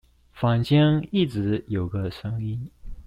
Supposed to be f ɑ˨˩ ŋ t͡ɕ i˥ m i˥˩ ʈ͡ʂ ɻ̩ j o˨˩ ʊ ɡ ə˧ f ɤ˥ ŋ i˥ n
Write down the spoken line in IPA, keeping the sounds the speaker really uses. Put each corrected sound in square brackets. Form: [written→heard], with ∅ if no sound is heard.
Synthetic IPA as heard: f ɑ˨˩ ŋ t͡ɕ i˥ [m→ŋ] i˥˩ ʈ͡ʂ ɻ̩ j o˨˩ ʊ ɡ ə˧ [f→ʂ] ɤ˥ ŋ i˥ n